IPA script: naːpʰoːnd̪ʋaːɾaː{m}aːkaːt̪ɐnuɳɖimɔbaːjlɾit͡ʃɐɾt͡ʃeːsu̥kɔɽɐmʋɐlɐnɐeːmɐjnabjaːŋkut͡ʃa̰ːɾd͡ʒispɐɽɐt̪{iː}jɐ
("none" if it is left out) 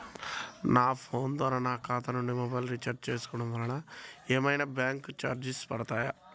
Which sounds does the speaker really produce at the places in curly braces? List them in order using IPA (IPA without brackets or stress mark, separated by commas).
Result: n, aː